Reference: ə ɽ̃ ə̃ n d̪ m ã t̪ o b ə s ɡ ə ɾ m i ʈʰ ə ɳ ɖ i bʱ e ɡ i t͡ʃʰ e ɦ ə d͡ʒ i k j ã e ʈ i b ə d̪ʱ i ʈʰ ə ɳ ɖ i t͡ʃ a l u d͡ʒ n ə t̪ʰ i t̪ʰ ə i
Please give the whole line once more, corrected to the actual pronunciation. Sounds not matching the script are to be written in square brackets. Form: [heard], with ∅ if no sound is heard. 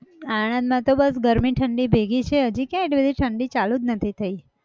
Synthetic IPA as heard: [a] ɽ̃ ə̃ n d̪ m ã t̪ o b ə s ɡ ə ɾ m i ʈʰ ə ɳ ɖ i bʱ e ɡ i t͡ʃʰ e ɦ ə d͡ʒ i k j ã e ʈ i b ə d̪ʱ i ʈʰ ə ɳ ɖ i t͡ʃ a l u d͡ʒ n ə t̪ʰ i t̪ʰ ə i